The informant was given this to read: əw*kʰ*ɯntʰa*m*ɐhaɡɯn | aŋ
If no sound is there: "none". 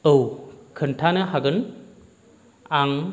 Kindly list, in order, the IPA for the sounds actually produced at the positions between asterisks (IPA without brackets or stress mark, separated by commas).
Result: kʰ, n